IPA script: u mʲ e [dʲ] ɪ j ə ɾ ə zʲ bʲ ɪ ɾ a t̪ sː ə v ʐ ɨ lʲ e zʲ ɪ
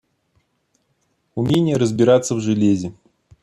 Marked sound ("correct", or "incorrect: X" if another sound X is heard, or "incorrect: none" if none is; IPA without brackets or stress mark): incorrect: nʲ